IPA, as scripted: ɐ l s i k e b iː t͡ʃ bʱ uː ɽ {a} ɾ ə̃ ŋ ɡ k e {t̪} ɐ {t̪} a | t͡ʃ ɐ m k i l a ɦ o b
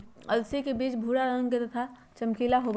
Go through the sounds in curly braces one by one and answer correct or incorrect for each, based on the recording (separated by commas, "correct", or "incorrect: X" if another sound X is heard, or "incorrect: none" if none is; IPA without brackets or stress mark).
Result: correct, correct, incorrect: t̪ʰ